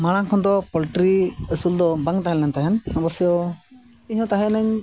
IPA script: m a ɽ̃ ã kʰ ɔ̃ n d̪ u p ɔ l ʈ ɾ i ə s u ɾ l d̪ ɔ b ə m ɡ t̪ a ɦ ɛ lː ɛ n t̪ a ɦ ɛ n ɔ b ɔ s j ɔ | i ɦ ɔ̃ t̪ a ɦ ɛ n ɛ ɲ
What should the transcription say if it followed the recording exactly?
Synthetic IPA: m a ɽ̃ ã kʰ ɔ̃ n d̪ ɔ p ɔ l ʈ ɾ i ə s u l d̪ ɔ b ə ŋ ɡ t̪ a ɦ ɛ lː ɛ n t̪ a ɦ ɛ n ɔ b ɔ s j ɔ | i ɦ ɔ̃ t̪ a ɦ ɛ n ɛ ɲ